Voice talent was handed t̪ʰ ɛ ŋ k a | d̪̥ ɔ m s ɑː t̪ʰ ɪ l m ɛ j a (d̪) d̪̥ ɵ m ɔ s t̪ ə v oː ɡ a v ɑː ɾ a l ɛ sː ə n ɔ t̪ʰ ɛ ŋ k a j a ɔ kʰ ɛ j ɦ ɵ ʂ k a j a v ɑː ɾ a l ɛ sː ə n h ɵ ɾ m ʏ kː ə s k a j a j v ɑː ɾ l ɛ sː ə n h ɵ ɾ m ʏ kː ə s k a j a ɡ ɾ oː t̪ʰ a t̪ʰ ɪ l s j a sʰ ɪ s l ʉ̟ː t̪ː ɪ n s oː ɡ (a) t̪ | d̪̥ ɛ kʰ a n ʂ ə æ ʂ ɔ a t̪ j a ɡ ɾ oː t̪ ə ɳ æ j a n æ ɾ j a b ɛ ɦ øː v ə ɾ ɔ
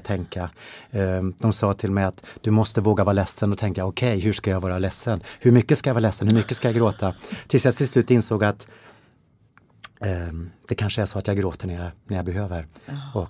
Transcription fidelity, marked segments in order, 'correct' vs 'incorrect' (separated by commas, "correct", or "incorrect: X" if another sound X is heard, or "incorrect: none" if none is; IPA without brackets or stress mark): incorrect: t̪, correct